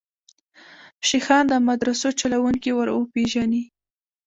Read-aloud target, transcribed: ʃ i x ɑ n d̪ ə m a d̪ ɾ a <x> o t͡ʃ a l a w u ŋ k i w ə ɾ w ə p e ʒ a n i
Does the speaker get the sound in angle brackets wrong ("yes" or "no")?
yes